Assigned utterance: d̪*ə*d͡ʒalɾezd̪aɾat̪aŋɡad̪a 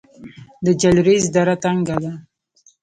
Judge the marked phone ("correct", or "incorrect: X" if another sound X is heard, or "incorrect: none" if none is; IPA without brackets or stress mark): correct